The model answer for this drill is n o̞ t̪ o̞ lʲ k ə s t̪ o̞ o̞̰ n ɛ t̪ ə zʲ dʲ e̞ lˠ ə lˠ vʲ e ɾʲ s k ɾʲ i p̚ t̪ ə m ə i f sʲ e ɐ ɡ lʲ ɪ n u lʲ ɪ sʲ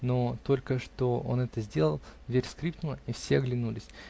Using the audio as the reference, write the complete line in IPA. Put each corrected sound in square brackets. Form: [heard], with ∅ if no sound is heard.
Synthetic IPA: n o̞ t̪ o̞ lʲ k ə [ʂ] t̪ o̞ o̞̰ n ɛ t̪ ə zʲ dʲ e̞ lˠ ə lˠ vʲ e ɾʲ s k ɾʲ i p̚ t̪ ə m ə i f sʲ e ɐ ɡ lʲ ɪ n u lʲ ɪ sʲ